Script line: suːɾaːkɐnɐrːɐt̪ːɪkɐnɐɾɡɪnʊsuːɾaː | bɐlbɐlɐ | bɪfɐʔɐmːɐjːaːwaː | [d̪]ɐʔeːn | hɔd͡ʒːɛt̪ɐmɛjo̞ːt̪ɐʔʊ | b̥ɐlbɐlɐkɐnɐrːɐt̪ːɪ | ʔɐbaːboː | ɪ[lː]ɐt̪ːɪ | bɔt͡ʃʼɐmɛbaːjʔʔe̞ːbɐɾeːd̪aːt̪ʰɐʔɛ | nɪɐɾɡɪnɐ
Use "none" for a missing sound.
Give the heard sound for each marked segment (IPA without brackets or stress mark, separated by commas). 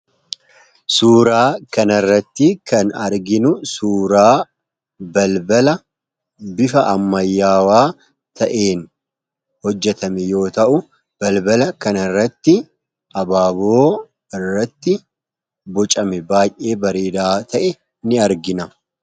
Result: t̪, rː